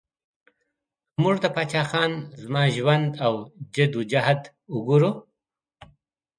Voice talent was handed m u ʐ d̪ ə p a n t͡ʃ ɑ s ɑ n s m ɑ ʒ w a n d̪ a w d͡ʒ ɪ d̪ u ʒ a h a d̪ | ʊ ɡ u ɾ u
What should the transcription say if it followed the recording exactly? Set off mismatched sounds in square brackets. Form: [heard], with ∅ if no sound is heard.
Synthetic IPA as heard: m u ʐ d̪ ə p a [∅] t͡ʃ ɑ [x] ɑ n [z] m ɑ ʒ w a n d̪ a w d͡ʒ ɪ d̪ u [d͡ʒ] a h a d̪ | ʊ ɡ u ɾ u

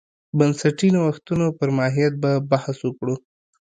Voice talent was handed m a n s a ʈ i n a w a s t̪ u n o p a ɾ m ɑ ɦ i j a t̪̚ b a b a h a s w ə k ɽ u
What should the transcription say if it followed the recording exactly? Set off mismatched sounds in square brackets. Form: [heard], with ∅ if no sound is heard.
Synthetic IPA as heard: [b] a n s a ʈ i n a w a [x] t̪ u n o p [ə] ɾ m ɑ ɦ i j a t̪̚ b a b a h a s w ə k ɽ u

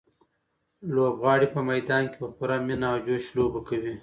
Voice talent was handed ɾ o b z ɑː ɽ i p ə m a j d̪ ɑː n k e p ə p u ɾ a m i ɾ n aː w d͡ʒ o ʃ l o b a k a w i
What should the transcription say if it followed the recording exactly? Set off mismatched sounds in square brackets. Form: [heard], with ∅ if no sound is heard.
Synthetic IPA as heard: [l] o b [ɣ] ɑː ɽ i p ə m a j d̪ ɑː n k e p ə p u ɾ a m i [∅] n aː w d͡ʒ o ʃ l o b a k a w i

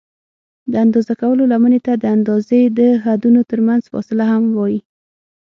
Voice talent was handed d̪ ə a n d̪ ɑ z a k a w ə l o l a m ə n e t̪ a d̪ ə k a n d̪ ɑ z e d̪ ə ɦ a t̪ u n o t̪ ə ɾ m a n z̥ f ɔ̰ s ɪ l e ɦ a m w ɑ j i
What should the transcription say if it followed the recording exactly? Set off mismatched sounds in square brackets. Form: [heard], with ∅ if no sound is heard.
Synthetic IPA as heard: d̪ ə a n d̪ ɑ z a k a w ə l o l a m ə n e t̪ a d̪ ə [∅] a n d̪ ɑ z e d̪ ə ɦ a [d̪] u n o t̪ ə ɾ m a n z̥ f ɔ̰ s ɪ l [a] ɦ a m w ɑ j i

